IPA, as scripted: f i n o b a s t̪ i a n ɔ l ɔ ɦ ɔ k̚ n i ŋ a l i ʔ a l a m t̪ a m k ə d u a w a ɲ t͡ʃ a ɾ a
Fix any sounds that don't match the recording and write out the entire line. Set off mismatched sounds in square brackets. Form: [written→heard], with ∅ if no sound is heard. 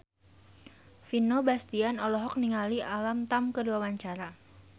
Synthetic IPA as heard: f i n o b a s t̪ i a n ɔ l ɔ ɦ ɔ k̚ n i ŋ a l i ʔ a l a m t̪ a m k ə d u a w a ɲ t͡ʃ a ɾ a